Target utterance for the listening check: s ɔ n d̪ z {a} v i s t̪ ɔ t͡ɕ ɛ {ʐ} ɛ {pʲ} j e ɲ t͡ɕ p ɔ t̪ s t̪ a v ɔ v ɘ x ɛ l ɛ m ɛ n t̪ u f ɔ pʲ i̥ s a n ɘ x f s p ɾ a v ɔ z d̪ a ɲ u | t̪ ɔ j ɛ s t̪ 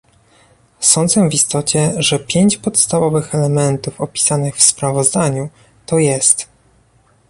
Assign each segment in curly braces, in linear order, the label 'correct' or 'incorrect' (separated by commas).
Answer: incorrect, correct, correct